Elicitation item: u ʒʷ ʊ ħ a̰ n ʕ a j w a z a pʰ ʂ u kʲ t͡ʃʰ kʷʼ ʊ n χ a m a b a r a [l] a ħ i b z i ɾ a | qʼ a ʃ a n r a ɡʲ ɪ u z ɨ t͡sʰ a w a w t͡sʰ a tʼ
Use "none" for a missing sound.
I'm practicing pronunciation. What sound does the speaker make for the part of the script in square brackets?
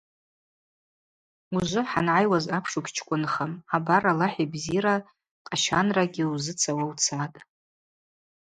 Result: l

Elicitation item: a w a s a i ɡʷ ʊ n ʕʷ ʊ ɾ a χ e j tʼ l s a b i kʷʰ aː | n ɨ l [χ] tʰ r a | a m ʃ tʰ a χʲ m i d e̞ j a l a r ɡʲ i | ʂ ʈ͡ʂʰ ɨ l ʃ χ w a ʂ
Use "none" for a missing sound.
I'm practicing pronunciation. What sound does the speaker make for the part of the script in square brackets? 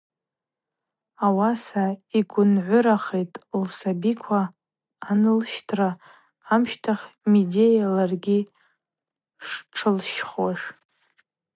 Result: ʃ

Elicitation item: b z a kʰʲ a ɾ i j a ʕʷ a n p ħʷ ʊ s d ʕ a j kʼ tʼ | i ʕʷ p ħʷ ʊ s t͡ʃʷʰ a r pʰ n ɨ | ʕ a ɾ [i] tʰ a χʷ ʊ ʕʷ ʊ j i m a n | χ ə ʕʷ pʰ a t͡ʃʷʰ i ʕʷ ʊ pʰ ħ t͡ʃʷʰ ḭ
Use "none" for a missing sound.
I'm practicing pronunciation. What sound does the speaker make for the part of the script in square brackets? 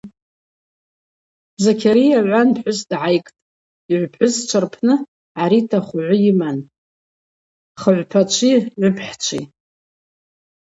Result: i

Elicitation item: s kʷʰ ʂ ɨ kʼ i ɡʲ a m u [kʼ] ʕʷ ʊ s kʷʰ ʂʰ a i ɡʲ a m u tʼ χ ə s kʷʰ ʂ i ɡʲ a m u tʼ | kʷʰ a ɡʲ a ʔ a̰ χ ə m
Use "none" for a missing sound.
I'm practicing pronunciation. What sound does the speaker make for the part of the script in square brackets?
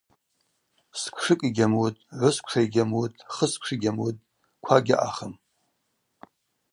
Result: tʼ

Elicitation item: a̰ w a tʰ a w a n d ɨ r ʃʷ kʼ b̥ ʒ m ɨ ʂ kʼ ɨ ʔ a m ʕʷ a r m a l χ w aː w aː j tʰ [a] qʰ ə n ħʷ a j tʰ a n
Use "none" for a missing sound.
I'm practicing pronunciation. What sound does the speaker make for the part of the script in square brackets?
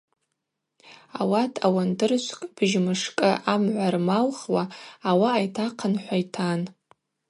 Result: a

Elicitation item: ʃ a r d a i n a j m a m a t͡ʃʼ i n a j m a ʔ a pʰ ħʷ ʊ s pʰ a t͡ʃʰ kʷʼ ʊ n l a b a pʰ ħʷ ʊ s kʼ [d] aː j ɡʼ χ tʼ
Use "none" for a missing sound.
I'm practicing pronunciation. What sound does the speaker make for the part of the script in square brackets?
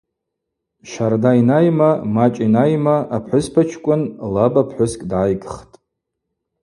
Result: d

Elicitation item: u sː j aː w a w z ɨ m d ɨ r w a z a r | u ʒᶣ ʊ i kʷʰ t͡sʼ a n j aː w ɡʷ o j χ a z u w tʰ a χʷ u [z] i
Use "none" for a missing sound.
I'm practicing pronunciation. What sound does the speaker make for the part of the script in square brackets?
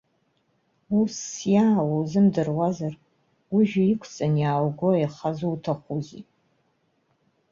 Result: z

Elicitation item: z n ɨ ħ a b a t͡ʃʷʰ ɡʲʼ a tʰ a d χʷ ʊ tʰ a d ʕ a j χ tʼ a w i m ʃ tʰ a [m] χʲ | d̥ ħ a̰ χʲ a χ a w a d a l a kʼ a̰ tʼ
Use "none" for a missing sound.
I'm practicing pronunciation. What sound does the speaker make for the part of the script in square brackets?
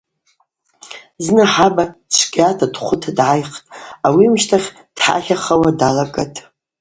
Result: none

